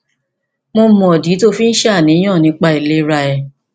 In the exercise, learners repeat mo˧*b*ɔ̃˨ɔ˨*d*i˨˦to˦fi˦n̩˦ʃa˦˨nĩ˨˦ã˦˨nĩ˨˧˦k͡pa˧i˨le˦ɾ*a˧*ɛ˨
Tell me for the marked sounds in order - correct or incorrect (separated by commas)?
incorrect, correct, correct